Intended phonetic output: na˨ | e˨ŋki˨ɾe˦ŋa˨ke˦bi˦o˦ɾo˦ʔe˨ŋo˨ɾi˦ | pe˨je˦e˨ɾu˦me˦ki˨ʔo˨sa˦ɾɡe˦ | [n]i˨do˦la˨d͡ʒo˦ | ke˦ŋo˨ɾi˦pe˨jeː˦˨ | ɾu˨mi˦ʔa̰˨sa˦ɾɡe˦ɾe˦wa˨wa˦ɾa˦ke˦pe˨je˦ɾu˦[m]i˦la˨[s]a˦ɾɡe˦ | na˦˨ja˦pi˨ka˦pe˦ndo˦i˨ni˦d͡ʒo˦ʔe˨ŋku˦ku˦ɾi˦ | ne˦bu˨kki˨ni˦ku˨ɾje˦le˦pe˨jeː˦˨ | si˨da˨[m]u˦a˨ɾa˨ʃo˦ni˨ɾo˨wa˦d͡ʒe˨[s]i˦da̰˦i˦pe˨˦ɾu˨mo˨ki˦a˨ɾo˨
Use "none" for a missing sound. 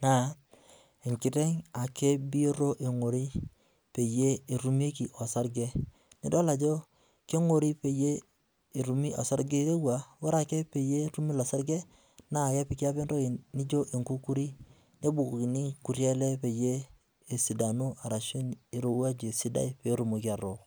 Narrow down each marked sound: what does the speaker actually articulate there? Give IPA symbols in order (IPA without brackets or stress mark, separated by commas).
n, m, s, n, s